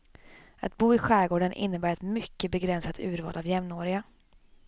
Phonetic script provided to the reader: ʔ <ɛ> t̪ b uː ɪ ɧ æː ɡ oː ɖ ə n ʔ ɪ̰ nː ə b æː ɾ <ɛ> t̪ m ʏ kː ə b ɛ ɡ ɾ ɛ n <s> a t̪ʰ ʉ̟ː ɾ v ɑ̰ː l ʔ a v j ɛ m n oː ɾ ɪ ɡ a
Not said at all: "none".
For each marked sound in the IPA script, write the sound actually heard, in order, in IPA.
a, ɛ, s

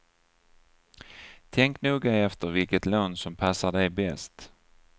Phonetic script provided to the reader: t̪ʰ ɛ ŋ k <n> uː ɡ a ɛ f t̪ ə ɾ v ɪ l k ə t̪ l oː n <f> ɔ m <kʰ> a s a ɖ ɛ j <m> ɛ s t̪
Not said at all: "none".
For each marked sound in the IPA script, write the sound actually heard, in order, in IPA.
n, s, pʰ, b

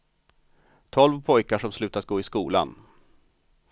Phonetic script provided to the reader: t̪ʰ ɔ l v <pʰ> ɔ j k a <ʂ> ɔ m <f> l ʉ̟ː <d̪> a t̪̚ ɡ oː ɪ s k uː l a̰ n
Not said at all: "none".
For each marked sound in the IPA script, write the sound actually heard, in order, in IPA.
pʰ, ʂ, s, t̪

